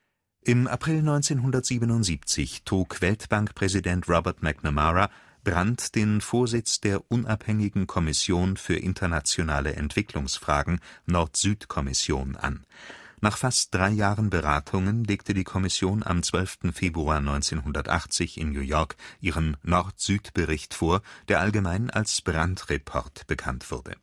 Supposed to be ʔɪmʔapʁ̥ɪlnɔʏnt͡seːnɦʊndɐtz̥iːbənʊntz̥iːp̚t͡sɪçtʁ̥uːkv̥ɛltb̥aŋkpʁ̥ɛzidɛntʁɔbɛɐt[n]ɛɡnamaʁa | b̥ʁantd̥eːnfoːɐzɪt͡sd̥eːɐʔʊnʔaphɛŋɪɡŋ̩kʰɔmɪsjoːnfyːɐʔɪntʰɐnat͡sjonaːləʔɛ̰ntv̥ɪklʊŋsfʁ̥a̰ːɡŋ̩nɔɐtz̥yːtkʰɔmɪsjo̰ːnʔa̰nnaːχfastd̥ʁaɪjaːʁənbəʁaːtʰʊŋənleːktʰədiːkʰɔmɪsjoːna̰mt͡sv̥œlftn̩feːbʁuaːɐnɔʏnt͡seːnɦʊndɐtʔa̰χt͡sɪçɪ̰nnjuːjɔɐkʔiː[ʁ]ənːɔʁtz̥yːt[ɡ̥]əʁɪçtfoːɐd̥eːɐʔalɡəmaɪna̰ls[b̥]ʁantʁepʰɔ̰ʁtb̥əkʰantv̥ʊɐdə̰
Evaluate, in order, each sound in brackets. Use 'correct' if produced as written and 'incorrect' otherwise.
incorrect: m, correct, incorrect: b̥, correct

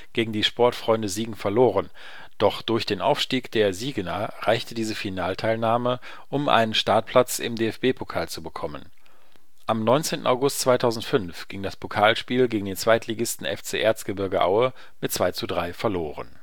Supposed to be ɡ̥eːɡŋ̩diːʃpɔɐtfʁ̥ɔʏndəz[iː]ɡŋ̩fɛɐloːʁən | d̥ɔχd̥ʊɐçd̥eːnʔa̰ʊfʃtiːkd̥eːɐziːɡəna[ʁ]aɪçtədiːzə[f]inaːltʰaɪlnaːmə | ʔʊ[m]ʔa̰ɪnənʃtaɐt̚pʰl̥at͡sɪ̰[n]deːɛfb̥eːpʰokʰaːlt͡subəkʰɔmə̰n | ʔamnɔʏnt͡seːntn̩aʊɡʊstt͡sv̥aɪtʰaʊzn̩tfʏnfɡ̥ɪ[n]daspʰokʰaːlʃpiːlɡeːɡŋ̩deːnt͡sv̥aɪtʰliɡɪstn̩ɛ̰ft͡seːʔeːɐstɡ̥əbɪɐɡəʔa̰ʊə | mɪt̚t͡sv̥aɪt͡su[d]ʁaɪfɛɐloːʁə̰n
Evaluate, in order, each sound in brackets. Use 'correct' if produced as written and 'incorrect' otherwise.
correct, correct, correct, correct, incorrect: m, incorrect: ŋ, correct

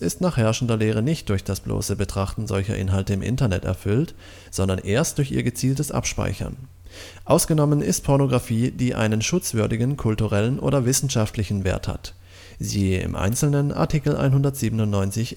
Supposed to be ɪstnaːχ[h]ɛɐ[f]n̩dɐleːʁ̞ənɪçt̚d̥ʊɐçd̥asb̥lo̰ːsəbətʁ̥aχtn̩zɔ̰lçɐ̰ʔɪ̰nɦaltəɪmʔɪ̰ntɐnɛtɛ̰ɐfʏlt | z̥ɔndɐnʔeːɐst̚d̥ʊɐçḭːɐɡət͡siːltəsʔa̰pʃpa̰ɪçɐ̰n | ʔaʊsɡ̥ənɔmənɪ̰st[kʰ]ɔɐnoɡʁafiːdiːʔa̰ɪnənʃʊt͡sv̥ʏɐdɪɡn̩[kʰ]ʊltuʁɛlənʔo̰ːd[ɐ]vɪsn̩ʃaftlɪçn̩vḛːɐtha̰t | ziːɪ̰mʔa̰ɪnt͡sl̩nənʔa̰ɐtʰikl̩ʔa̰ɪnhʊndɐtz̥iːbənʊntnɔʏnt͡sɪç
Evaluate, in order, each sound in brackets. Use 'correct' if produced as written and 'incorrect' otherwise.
correct, incorrect: ʃ, incorrect: pʰ, correct, correct

